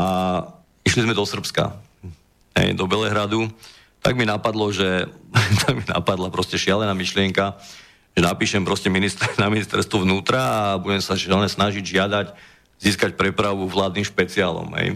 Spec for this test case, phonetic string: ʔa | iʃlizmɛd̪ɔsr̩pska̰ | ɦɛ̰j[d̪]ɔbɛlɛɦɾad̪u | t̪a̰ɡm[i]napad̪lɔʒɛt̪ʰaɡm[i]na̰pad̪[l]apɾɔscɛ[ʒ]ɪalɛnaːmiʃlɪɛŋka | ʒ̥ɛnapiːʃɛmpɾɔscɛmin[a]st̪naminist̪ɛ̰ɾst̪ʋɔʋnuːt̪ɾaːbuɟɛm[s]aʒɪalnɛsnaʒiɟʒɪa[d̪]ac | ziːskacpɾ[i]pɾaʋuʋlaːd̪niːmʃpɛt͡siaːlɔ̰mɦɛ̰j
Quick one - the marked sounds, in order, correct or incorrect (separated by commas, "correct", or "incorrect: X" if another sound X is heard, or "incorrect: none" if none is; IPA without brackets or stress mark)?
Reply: correct, correct, correct, correct, incorrect: ʃ, incorrect: i, correct, correct, incorrect: ɛ